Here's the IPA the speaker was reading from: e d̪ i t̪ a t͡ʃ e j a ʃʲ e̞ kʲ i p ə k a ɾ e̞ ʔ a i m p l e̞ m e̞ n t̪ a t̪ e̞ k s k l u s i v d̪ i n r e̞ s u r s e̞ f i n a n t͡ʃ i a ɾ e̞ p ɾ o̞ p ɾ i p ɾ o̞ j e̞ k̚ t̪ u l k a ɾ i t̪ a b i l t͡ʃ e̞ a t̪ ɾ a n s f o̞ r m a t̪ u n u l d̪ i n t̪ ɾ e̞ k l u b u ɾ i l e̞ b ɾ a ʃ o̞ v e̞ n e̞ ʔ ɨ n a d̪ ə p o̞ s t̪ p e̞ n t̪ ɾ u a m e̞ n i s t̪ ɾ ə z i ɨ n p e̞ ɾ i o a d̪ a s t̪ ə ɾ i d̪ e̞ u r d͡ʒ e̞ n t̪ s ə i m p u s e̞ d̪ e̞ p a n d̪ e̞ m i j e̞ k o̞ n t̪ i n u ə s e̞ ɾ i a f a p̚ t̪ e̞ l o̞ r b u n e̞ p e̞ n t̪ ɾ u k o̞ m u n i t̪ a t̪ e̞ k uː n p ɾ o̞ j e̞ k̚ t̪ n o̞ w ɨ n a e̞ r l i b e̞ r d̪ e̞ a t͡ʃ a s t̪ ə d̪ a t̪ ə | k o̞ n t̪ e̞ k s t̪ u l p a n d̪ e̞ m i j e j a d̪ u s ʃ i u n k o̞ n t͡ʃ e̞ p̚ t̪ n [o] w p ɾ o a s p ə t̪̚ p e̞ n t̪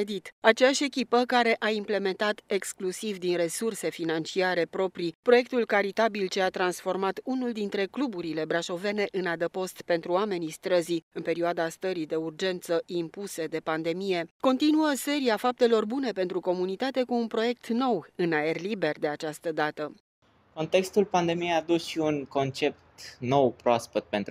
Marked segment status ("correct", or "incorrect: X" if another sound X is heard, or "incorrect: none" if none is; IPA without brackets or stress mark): correct